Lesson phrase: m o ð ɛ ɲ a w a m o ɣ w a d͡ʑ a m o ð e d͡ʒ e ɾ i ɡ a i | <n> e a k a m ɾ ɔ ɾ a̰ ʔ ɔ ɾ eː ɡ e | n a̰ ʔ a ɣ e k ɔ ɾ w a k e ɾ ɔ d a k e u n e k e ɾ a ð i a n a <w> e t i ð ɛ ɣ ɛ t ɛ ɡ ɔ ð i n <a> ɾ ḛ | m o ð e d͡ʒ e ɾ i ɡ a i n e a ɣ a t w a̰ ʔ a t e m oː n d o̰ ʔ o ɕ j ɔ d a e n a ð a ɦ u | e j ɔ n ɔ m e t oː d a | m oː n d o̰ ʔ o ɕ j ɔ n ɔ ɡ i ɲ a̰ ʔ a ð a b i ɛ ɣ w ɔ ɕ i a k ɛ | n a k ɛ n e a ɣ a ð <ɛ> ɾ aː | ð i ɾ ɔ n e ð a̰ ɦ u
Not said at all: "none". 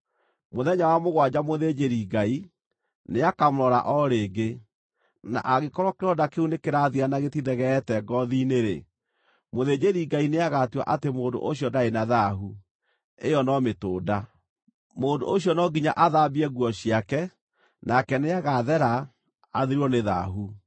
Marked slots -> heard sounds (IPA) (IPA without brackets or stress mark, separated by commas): n, ɣ, e, ɛ